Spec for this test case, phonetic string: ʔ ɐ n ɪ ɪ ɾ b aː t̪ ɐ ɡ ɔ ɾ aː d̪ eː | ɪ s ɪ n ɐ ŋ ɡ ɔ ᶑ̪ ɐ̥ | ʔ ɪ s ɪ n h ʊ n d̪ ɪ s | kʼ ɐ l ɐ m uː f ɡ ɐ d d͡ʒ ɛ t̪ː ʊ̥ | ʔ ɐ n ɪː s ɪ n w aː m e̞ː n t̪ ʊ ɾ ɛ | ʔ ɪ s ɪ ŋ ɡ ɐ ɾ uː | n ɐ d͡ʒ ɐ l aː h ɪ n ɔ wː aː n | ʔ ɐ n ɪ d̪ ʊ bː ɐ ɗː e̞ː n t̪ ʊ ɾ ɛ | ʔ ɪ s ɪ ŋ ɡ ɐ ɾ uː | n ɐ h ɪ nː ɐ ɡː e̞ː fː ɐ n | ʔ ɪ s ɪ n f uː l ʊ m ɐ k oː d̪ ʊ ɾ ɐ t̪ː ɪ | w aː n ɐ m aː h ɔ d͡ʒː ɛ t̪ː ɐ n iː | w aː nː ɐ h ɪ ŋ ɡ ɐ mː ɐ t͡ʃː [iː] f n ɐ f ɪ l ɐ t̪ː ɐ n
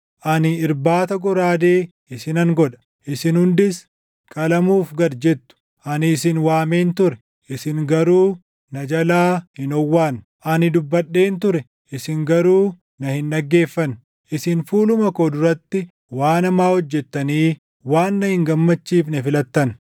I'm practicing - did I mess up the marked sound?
no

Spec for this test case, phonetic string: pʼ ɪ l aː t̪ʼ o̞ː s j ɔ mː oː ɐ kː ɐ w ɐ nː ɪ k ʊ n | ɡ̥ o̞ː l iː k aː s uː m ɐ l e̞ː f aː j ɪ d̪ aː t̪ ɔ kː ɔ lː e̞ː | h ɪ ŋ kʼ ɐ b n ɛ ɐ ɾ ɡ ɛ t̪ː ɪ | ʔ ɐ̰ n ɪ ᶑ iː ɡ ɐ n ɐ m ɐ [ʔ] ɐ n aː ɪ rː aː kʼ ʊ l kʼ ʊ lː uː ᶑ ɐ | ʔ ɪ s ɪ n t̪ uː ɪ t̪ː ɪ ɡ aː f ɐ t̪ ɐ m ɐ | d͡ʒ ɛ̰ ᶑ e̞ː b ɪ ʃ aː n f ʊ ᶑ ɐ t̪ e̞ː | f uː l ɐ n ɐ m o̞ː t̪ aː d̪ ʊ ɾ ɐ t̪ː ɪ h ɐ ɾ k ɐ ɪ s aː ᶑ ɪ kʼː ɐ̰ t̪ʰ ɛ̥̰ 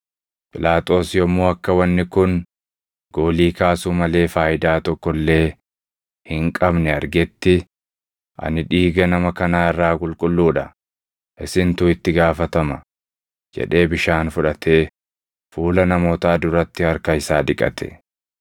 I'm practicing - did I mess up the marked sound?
yes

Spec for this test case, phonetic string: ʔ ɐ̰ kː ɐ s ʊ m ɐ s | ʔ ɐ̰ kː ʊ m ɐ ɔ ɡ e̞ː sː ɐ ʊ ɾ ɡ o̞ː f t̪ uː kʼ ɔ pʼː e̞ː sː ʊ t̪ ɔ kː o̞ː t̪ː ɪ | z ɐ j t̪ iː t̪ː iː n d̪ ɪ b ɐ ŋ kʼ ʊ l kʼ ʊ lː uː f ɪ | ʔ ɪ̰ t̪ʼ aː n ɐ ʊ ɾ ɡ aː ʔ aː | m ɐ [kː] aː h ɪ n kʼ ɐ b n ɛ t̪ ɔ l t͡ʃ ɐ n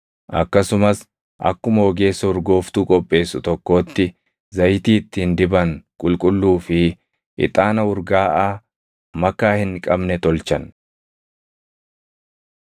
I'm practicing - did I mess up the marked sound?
no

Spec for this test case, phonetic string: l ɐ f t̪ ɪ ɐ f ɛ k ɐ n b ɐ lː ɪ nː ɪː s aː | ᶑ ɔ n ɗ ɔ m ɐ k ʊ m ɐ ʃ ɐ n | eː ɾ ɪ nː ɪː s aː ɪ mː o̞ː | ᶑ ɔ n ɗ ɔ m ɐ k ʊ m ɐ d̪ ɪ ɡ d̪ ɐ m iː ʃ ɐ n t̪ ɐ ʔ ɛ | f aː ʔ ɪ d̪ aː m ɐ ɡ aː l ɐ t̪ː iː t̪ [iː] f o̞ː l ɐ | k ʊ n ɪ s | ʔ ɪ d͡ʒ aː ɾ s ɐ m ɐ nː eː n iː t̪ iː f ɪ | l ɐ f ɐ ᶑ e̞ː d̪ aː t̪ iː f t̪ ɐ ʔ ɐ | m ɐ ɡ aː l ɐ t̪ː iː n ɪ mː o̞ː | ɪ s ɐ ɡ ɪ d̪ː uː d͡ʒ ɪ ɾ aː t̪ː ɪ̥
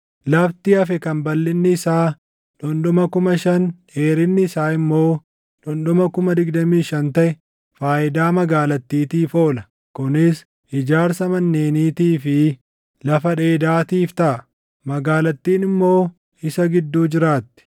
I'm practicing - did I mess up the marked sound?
no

